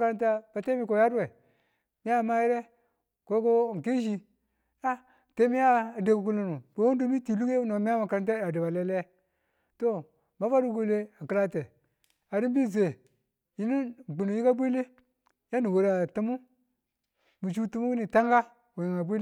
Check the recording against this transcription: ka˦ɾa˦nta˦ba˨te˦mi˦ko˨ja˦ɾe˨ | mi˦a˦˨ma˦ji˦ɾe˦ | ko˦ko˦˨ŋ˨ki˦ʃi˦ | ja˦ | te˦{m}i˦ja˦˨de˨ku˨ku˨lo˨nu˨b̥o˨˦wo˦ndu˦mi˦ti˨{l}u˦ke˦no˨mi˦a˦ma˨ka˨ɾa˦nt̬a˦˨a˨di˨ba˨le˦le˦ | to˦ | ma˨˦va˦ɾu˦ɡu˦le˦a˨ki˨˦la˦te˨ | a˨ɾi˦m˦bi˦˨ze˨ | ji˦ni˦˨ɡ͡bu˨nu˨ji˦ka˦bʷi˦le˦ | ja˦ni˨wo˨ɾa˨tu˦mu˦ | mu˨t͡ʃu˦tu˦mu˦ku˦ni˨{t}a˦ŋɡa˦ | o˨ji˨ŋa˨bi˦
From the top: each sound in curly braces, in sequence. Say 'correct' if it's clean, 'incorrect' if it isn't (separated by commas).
correct, correct, correct